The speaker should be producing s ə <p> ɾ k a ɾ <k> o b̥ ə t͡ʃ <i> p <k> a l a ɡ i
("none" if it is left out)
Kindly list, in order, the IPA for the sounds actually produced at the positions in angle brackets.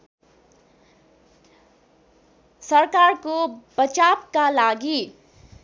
none, k, a, k

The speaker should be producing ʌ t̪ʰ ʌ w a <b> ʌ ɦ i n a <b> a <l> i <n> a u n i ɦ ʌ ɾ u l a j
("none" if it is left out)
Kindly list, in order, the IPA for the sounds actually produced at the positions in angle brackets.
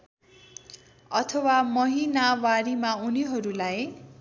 m, w, ɾ, m

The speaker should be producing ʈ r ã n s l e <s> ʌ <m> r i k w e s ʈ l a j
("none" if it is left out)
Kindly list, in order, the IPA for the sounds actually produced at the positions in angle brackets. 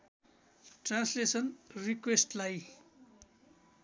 s, n

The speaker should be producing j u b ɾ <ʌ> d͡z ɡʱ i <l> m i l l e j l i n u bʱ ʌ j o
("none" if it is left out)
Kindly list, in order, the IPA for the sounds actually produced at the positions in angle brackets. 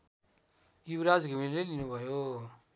a, none

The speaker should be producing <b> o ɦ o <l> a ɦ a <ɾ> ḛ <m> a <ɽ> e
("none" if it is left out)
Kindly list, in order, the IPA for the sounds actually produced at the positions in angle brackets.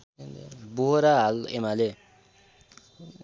b, ɾ, l, m, l

